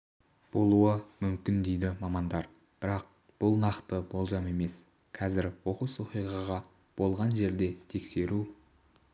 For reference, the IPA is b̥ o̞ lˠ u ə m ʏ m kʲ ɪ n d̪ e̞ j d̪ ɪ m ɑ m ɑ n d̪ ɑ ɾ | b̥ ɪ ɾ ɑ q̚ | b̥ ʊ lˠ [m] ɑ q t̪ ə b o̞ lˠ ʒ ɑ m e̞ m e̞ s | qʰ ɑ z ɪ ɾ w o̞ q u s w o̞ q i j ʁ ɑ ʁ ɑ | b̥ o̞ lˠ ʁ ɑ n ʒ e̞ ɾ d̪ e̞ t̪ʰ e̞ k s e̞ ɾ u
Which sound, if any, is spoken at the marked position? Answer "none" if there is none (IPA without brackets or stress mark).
n